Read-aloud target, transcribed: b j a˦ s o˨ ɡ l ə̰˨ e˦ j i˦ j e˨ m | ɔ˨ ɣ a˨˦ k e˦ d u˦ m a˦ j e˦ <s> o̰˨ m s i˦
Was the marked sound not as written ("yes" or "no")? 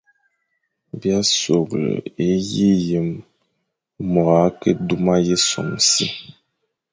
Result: no